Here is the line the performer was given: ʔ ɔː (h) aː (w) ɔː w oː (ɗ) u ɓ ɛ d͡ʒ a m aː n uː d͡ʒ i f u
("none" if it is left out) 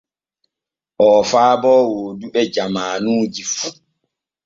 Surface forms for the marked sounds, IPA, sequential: f, b, d

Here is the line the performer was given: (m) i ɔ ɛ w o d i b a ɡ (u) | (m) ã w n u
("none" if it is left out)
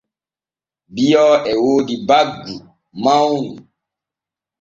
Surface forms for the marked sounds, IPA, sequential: b, u, m

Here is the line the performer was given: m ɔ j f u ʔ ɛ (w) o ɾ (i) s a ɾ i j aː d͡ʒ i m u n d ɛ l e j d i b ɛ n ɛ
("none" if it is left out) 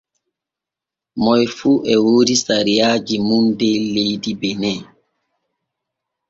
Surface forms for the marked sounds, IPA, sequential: w, i

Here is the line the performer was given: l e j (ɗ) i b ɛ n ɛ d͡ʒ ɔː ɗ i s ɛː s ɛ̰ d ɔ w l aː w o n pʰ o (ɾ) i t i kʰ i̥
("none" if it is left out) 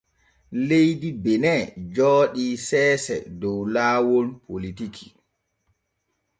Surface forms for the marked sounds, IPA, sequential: d, l

